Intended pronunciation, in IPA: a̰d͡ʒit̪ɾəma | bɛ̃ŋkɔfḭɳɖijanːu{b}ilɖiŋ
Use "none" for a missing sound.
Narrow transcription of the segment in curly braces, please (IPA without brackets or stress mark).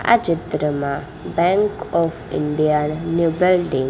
b